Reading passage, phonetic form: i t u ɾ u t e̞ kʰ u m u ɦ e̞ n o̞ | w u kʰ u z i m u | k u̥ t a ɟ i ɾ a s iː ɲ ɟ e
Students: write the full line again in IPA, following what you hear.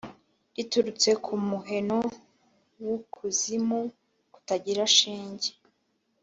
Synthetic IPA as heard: i t u ɾ u t͡s e̞ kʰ u m u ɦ e̞ n o̞ | w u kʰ u z i m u | k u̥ t a ɟ i ɾ a ʃ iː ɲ ɟ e